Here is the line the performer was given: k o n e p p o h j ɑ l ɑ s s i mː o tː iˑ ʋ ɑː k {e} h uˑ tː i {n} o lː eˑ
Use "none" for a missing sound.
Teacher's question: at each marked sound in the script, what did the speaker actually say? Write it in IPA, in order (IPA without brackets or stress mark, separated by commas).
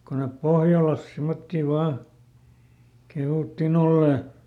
e, n